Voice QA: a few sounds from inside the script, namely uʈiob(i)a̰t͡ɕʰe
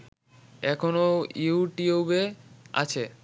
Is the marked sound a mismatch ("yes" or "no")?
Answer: yes